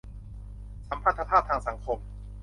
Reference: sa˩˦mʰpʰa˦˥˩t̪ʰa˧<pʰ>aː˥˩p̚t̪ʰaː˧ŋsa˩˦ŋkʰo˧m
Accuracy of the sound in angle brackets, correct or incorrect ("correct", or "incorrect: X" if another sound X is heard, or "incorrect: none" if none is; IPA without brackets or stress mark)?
correct